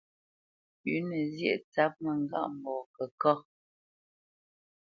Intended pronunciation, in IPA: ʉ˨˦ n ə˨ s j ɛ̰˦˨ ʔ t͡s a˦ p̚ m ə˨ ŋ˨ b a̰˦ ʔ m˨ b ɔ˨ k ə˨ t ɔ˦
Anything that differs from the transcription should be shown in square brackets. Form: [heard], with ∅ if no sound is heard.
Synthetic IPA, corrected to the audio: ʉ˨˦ n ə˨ [z] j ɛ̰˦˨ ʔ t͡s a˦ p̚ m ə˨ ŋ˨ [ɡ] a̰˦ ʔ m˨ b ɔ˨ k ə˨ [k] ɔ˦